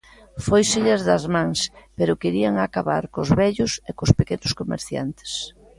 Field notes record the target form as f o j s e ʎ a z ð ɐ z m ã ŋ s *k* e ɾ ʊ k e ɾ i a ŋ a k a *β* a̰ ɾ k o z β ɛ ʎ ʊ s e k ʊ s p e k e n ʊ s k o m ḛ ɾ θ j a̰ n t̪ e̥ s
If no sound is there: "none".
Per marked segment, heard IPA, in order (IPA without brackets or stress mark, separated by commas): p, β